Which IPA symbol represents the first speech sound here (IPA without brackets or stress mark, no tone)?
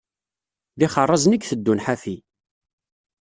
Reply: ð